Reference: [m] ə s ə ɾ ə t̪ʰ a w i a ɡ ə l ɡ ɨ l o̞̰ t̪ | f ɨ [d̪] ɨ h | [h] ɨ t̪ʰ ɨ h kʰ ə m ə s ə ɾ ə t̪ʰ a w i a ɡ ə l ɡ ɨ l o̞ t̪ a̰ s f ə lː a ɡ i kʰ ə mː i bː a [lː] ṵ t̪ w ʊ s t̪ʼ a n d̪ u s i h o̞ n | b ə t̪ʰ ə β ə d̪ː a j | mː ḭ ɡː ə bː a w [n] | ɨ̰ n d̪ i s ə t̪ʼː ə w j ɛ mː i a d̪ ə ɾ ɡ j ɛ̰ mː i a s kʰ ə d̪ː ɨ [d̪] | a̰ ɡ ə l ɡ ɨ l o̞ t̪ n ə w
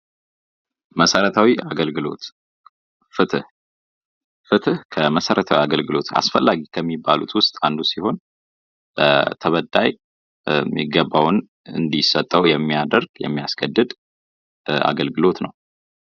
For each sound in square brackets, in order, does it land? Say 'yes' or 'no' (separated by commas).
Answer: yes, no, no, no, yes, yes